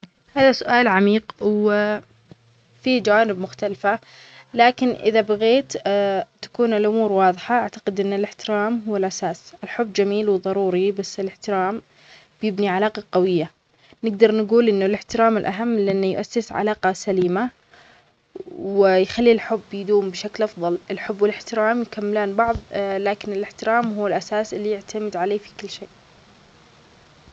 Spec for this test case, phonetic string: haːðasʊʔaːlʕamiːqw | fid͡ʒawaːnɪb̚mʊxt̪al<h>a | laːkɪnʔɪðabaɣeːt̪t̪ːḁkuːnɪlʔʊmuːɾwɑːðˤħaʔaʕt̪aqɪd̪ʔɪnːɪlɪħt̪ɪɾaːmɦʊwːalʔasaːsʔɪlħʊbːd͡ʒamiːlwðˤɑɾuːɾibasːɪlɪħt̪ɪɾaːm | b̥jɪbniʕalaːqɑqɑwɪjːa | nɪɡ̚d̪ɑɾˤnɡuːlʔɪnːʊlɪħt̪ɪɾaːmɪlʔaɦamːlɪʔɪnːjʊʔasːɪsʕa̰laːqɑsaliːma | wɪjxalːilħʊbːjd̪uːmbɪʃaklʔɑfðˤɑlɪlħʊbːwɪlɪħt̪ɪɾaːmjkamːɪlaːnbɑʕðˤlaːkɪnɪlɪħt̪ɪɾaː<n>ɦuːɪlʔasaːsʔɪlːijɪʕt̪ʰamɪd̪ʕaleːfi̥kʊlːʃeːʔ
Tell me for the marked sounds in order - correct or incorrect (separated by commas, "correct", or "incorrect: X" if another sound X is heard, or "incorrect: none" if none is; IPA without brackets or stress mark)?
incorrect: f, incorrect: m